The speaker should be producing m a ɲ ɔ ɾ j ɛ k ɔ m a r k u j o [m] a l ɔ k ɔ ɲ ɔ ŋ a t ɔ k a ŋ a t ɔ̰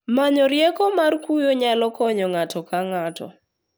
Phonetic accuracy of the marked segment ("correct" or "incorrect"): incorrect